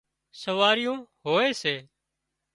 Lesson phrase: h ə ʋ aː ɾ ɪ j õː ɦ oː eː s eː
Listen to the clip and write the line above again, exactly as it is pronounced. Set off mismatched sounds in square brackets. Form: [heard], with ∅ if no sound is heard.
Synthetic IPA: [s] ə ʋ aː ɾ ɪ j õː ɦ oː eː s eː